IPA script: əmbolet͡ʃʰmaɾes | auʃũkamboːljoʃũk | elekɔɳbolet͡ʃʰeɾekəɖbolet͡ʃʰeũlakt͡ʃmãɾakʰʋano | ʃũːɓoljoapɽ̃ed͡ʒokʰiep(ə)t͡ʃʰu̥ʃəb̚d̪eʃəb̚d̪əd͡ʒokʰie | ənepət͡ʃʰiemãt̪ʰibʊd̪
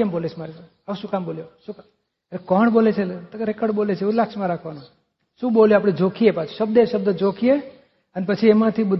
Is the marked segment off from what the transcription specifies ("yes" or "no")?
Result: yes